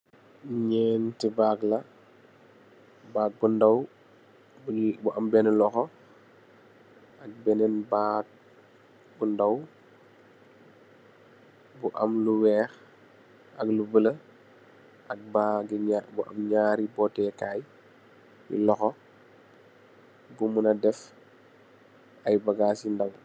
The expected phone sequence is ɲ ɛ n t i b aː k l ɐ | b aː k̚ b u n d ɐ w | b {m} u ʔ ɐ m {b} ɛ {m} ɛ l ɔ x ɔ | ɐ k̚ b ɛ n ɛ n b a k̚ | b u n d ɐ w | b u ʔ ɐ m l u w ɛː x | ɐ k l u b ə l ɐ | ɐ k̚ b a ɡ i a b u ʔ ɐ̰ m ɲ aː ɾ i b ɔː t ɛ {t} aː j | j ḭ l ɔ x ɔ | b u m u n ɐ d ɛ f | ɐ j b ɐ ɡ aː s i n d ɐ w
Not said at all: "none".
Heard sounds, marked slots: b, b, n, k

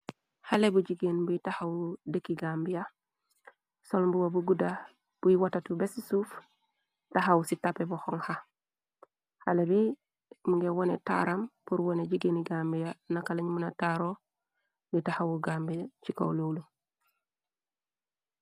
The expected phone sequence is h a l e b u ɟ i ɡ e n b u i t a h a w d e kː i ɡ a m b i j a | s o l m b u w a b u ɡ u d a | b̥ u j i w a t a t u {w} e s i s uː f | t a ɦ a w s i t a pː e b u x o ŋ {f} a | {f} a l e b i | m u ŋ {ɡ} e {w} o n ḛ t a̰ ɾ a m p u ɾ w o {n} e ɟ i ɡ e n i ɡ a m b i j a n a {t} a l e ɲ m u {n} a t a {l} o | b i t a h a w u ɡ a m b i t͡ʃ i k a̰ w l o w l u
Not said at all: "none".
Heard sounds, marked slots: b, h, h, ɡ, w, n, k, n, ɾ

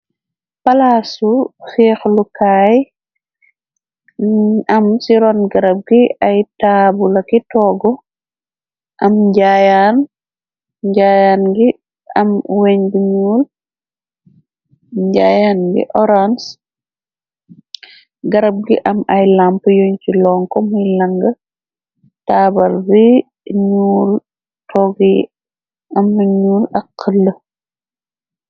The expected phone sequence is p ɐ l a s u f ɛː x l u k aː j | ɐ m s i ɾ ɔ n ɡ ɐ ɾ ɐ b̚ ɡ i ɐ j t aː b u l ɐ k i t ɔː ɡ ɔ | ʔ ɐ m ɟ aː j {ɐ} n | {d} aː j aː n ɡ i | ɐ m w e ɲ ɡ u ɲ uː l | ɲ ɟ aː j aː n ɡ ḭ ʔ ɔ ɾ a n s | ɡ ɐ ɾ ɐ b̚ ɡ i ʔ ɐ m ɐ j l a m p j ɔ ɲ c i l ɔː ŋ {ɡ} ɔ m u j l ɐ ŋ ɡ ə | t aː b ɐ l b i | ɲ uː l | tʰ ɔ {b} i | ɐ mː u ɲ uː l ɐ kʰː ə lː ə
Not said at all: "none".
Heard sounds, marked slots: a, ɟ, k, ɡ

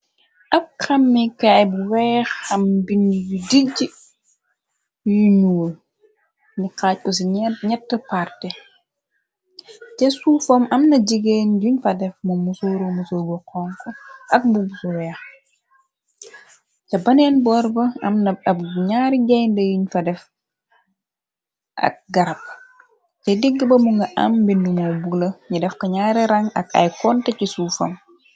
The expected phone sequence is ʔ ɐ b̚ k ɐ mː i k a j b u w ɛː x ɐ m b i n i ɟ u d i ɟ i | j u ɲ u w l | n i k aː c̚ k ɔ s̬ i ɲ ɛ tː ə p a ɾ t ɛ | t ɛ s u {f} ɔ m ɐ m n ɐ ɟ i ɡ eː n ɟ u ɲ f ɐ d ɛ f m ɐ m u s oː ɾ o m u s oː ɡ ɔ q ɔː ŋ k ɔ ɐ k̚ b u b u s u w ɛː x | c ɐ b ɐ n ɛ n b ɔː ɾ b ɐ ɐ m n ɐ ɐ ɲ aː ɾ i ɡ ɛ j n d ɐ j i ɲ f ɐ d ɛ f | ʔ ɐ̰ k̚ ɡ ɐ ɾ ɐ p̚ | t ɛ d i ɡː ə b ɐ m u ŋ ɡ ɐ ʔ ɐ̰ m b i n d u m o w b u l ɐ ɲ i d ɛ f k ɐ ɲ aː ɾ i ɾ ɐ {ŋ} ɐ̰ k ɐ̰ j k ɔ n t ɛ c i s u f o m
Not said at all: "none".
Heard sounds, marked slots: f, ŋ

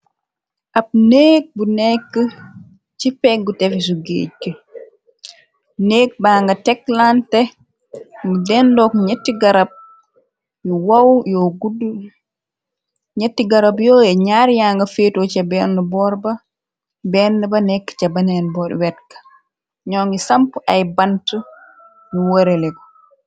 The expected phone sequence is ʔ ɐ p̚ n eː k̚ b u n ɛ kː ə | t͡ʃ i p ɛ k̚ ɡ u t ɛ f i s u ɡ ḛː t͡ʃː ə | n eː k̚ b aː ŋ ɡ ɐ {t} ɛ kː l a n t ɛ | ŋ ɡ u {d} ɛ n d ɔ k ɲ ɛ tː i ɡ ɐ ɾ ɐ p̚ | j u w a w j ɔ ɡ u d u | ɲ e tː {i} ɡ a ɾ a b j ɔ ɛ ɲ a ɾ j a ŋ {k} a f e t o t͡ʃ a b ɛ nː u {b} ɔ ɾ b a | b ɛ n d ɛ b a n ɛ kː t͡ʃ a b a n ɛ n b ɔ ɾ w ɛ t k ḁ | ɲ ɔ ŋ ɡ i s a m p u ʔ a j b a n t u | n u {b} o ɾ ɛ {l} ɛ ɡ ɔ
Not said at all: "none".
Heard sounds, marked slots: t, d, i, ɡ, b, w, l

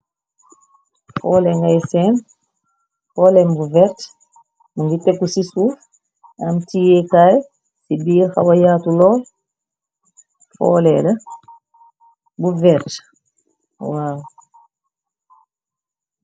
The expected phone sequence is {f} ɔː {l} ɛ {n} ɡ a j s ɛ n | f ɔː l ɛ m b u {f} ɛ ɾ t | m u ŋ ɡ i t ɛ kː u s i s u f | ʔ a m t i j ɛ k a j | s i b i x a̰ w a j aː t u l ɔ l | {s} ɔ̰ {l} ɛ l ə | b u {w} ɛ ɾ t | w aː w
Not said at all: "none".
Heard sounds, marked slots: f, l, ŋ, v, f, l, v

